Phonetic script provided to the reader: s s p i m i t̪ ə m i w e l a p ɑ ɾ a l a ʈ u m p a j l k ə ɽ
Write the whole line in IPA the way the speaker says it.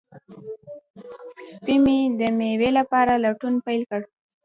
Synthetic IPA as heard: s s p i m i d̪ ə m e w e l a p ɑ ɾ a l a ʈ u n p a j l k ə ɽ